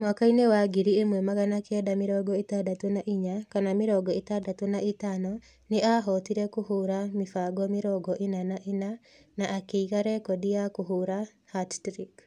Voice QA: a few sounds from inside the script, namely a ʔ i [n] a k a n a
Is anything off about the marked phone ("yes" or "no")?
yes